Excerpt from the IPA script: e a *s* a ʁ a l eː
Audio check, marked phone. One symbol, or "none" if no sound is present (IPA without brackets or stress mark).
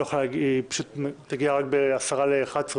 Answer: s